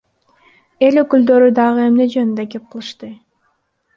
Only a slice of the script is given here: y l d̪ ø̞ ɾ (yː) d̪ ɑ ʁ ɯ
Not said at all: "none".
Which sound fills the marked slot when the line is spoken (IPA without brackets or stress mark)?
y